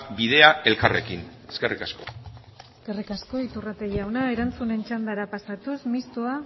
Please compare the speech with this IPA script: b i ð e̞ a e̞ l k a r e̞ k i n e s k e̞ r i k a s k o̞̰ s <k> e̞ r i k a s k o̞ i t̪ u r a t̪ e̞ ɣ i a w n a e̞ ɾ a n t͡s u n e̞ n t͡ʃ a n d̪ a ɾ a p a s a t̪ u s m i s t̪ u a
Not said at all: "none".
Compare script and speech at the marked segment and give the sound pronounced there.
k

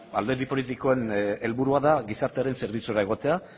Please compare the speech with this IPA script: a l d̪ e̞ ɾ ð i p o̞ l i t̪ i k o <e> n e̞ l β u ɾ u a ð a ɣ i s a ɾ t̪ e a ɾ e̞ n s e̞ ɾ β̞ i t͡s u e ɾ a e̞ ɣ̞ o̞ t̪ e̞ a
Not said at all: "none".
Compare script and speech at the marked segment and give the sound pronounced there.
e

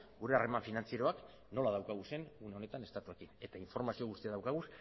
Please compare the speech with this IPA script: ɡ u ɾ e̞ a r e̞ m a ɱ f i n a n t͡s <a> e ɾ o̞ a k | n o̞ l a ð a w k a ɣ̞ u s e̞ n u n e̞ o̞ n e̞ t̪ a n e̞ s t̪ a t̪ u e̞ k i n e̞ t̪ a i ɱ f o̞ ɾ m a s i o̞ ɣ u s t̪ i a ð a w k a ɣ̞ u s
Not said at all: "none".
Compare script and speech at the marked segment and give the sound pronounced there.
i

